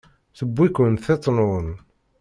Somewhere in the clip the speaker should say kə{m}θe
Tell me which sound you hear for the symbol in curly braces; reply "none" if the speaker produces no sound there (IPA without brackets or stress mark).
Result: n